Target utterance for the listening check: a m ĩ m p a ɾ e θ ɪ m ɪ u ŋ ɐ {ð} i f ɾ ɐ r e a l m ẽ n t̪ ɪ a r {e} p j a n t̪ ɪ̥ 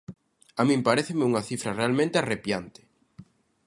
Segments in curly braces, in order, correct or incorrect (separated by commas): incorrect, correct